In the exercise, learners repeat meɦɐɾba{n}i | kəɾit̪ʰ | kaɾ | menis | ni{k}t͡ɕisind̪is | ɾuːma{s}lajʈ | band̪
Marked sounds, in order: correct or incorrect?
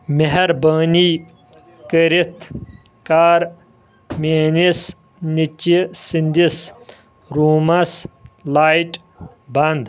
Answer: correct, incorrect: none, correct

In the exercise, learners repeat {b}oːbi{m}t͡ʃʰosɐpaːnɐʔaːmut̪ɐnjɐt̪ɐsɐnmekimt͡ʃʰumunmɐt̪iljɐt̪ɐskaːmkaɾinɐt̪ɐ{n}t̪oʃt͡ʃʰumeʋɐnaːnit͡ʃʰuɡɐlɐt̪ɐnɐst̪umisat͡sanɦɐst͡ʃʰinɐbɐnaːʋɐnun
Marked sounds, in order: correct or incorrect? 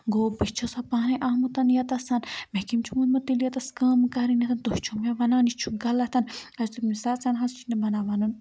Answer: incorrect: ɡ, incorrect: none, correct

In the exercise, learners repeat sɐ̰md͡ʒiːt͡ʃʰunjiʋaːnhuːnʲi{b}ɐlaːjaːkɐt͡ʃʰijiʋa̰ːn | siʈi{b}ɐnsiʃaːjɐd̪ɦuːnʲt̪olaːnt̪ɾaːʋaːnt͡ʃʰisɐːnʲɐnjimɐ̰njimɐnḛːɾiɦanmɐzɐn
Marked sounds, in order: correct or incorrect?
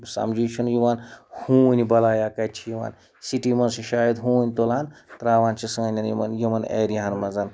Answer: correct, incorrect: m

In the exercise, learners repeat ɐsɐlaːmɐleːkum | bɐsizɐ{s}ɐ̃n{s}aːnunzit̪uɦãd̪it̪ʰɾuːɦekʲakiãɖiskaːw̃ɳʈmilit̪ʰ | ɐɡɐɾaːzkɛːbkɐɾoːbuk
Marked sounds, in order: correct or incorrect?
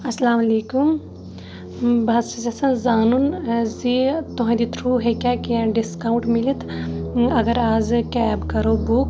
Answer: correct, incorrect: z

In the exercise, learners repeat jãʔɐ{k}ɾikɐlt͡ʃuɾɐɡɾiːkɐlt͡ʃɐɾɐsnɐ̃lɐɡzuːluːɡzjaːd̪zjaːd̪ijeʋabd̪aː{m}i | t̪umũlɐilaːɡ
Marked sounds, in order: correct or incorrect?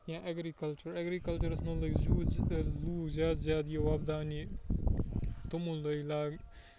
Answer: incorrect: ɡ, incorrect: n

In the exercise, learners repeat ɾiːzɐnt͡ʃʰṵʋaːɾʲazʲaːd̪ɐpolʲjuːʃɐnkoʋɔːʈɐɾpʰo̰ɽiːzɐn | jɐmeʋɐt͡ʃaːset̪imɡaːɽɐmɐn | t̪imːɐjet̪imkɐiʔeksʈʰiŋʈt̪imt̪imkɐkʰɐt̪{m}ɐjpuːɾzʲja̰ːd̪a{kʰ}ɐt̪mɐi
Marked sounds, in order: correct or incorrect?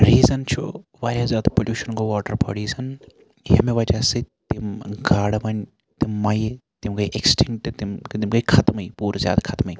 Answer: correct, correct

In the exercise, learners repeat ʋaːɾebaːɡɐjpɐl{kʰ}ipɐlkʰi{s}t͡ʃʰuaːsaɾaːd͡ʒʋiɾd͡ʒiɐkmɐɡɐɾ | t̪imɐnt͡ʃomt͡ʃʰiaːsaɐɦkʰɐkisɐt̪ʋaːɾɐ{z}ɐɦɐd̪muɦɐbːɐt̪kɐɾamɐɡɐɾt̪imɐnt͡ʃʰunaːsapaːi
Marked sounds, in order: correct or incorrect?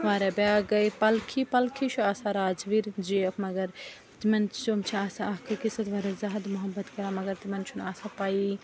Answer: correct, incorrect: none, correct

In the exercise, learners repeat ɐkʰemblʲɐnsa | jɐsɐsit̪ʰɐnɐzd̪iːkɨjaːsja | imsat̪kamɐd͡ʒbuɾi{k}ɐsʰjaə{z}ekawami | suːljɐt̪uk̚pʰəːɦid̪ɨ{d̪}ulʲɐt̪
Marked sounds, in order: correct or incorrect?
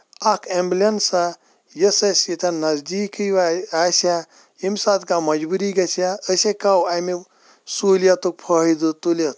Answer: incorrect: ɡ, incorrect: s, incorrect: t̪

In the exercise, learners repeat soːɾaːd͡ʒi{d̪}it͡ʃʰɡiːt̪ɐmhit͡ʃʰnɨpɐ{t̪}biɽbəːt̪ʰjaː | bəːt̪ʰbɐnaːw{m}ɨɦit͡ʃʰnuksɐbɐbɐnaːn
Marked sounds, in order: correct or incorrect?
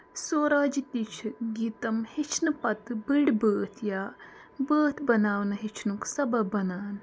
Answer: incorrect: t̪, correct, incorrect: n

